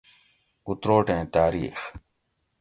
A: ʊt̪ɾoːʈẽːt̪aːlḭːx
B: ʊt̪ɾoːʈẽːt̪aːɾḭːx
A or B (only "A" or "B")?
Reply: B